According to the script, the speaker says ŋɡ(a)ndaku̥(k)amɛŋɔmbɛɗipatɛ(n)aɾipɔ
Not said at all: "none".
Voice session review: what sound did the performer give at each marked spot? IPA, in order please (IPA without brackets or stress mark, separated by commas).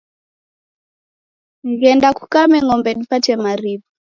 ɛ, k, m